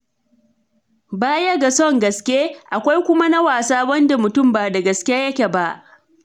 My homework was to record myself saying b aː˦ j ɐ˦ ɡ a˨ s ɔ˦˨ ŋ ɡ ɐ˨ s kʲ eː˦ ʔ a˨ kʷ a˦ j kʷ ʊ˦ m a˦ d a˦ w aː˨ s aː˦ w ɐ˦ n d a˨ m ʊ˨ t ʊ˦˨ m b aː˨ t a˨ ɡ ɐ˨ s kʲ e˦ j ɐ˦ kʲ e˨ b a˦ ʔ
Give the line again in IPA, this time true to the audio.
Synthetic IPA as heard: b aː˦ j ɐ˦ ɡ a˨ s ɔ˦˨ ŋ ɡ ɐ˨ s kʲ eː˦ ʔ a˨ kʷ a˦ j kʷ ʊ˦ m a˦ n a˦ w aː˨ s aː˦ w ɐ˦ n d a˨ m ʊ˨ t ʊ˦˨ m b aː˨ d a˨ ɡ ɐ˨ s kʲ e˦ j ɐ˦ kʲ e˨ b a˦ ʔ